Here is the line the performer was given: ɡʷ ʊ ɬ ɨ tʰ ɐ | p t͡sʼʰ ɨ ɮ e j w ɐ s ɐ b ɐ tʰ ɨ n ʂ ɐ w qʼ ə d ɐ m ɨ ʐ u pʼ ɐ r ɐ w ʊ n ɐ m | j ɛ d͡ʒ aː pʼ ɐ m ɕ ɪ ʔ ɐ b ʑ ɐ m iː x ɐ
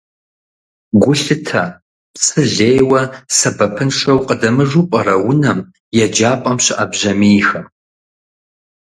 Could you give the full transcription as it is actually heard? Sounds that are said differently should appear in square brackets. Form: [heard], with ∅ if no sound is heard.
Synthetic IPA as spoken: ɡʷ ʊ ɬ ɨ tʰ ɐ | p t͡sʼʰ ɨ ɮ e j w ɐ s ɐ b ɐ [pʰ] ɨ n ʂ ɐ w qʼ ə d ɐ m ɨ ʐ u pʼ ɐ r ɐ w ʊ n ɐ m | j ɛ d͡ʒ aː pʼ ɐ m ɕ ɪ ʔ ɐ b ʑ ɐ m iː x ɐ